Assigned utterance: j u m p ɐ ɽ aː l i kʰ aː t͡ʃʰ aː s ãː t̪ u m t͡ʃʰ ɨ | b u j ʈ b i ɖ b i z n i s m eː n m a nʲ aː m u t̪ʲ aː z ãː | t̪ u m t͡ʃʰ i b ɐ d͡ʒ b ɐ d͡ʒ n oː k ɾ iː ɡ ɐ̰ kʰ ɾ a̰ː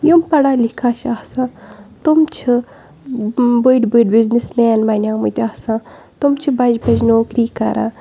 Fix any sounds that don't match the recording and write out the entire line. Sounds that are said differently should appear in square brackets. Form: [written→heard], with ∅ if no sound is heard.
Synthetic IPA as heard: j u m p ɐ ɽ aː l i kʰ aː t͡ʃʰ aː s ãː t̪ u m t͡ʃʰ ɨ | b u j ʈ b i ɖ b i z n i s m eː n m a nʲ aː m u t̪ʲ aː [z→s] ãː | t̪ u m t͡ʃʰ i b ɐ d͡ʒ b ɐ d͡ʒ n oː k ɾ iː [ɡ→k] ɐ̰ [kʰ→∅] ɾ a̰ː

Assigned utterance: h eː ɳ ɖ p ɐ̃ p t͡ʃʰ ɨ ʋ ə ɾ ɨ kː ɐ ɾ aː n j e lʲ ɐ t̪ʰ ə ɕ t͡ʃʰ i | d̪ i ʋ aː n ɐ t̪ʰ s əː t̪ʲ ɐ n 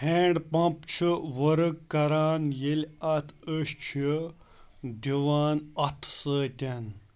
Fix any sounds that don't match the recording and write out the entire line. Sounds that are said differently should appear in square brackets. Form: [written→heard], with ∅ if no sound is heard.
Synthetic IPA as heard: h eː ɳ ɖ p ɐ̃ p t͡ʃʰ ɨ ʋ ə ɾ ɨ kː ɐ ɾ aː n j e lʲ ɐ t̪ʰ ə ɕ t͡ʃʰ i | d̪ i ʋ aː n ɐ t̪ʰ s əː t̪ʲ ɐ n

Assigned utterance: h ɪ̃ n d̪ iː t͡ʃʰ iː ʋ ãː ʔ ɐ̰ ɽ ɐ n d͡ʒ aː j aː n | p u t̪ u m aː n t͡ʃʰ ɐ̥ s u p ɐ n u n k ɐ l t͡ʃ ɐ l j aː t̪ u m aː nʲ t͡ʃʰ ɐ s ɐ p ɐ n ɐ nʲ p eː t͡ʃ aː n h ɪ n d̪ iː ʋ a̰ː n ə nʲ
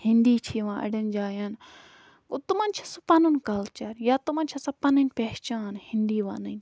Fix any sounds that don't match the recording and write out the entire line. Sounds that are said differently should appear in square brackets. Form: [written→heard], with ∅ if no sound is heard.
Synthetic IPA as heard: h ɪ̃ n d̪ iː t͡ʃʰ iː ʋ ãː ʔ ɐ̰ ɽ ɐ n d͡ʒ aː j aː n | [p→k] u t̪ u m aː n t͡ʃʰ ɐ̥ s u p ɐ n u n k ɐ l t͡ʃ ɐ [l→ɾ] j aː t̪ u m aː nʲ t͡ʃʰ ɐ s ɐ p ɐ n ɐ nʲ p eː t͡ʃ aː n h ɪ n d̪ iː ʋ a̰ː n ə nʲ

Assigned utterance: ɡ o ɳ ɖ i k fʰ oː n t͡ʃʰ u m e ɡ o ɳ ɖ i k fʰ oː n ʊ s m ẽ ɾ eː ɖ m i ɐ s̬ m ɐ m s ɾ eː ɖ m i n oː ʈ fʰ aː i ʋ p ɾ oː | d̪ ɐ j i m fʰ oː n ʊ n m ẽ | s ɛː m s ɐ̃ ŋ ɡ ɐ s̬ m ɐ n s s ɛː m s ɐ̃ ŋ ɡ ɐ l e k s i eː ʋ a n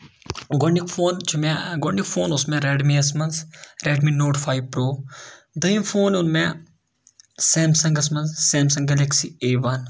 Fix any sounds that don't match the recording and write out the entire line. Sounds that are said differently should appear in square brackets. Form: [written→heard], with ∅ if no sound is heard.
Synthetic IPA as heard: ɡ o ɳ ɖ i k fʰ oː n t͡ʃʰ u m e ɡ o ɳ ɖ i k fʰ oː n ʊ s m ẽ ɾ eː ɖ m i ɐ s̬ m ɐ [m→n] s ɾ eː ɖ m i n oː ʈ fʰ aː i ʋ p ɾ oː | d̪ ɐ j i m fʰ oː n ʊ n m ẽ | s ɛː m s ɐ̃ ŋ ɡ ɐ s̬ m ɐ n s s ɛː m s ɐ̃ ŋ ɡ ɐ l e k s i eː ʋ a n

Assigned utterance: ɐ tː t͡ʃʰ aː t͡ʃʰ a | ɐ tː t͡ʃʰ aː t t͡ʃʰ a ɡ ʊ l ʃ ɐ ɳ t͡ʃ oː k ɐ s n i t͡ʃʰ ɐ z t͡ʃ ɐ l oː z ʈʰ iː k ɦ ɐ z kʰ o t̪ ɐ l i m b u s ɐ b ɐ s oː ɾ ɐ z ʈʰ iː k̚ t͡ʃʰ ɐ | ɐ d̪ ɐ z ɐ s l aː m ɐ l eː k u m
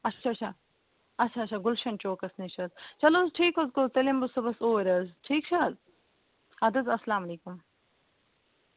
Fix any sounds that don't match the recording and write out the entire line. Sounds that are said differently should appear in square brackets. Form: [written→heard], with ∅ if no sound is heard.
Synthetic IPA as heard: ɐ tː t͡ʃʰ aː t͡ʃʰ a | ɐ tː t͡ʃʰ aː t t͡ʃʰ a ɡ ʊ l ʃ ɐ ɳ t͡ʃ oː k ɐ s n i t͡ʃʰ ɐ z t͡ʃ ɐ l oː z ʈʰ iː k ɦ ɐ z [kʰ→k] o t̪ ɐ l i m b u s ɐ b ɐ s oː ɾ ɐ z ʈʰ iː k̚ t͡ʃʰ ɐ | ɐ d̪ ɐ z ɐ s l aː m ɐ l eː k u m

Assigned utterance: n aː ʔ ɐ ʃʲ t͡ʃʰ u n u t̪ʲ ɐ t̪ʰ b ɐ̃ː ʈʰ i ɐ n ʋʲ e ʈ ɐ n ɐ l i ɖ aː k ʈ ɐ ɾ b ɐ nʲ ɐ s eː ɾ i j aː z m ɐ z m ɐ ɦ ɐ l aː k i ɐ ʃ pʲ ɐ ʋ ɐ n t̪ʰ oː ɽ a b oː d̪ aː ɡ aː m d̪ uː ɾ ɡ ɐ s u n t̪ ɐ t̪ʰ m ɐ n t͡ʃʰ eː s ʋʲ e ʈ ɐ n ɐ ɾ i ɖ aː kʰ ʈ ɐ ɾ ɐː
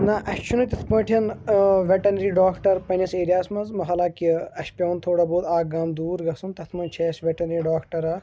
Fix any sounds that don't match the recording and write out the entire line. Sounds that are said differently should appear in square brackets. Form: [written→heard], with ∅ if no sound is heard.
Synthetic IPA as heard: n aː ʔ ɐ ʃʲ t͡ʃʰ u n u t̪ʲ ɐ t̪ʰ [b→p] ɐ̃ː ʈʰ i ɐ n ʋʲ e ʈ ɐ n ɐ [l→ɾ] i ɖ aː k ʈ ɐ ɾ [b→p] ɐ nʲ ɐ s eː ɾ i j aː [z→s] m ɐ z m ɐ ɦ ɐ l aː k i ɐ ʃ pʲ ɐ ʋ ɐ n t̪ʰ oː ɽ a b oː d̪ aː ɡ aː m d̪ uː ɾ ɡ ɐ s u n t̪ ɐ t̪ʰ m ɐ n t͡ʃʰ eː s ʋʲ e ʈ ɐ n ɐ ɾ i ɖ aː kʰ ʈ ɐ ɾ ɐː

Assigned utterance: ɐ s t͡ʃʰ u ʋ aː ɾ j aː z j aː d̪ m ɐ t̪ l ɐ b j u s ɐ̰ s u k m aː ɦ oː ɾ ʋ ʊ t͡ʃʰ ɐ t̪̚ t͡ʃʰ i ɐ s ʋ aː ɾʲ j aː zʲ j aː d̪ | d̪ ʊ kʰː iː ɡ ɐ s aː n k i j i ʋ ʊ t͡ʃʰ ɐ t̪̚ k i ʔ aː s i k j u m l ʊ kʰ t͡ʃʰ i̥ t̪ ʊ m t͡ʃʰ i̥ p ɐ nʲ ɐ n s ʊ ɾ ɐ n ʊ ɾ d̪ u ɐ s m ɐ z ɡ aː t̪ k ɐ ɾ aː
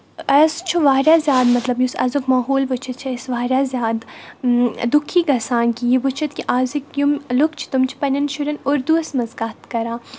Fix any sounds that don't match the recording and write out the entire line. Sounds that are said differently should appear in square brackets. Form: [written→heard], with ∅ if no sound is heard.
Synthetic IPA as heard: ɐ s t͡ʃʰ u ʋ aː ɾ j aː z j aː d̪ m ɐ t̪ l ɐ b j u s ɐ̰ [s→z] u k m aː ɦ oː [ɾ→l] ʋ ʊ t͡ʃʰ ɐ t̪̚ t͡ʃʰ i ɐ s ʋ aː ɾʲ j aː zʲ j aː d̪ | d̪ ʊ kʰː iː ɡ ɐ s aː n k i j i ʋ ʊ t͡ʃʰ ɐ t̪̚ k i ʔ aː [s→z] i k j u m l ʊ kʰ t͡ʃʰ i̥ t̪ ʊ m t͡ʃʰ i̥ p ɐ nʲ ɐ n [s→ʃ] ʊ ɾ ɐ n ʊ ɾ d̪ u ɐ s m ɐ z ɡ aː t̪ k ɐ ɾ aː

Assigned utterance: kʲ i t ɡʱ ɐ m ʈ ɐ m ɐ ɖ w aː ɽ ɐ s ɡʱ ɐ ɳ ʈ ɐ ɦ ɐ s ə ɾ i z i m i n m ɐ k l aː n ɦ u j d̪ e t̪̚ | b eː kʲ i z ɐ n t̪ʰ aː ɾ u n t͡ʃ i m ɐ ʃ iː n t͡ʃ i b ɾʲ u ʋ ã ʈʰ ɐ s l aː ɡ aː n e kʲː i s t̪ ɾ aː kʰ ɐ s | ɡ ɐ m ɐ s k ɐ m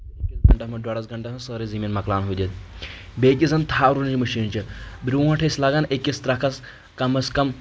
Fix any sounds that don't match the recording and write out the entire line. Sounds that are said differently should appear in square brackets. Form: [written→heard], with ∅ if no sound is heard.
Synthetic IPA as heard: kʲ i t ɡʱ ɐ [m→ɳ] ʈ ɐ m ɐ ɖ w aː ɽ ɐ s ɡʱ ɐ ɳ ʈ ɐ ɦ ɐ s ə ɾ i z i m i n m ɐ k l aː n ɦ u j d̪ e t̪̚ | b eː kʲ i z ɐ n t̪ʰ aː ɾ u n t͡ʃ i m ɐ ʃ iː n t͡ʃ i b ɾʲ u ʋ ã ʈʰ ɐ s l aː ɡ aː n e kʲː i s t̪ ɾ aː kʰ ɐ s | [ɡ→k] ɐ m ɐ s k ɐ m

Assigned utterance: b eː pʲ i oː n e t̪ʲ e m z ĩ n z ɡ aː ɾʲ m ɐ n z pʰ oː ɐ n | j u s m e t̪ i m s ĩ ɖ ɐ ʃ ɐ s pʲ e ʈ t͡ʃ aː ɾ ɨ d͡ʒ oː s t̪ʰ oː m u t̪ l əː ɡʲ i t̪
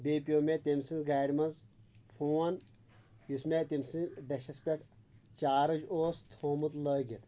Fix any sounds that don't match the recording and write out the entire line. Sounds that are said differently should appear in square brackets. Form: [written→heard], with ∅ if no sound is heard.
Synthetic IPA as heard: b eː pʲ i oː [n→m] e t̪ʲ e m [z→s] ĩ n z ɡ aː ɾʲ m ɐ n z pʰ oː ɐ n | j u s m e t̪ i m s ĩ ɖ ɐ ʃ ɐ s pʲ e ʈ t͡ʃ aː ɾ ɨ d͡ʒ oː s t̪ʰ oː m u t̪ l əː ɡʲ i t̪

